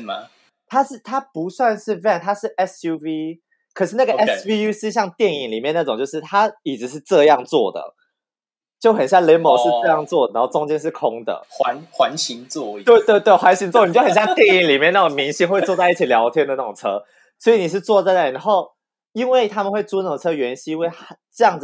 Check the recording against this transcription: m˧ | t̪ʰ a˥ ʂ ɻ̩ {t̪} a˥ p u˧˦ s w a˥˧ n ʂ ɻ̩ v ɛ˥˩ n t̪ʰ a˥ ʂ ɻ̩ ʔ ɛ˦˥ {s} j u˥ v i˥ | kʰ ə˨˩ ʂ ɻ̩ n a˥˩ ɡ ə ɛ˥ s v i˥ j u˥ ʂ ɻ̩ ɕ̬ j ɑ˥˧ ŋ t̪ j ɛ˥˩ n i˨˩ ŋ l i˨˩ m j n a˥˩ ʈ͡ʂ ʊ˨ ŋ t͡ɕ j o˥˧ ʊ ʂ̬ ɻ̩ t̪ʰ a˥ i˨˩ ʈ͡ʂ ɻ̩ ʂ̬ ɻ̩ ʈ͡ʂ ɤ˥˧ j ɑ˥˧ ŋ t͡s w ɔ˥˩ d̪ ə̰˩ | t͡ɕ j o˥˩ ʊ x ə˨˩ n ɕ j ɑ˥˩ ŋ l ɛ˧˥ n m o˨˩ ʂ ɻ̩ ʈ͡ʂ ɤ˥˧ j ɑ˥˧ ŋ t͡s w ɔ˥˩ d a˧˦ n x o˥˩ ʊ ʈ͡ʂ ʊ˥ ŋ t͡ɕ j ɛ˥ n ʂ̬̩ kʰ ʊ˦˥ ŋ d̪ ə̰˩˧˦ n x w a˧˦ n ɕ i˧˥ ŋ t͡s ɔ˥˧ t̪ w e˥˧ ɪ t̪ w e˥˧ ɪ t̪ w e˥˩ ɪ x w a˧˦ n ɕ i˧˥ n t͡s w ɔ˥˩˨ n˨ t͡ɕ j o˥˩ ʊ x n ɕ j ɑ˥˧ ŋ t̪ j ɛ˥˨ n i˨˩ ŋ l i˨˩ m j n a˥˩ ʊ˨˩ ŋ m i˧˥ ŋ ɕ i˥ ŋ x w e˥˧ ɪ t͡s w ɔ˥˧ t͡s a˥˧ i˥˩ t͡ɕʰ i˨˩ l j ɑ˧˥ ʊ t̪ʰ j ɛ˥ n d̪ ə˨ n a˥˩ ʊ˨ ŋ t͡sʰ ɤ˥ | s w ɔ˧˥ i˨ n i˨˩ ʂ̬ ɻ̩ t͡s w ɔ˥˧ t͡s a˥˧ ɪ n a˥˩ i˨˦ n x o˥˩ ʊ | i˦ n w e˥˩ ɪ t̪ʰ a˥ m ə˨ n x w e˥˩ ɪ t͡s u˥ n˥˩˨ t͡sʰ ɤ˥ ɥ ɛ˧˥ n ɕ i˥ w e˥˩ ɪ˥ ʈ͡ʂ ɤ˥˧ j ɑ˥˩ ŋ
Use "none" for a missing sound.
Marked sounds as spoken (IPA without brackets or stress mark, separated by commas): t̪ʰ, s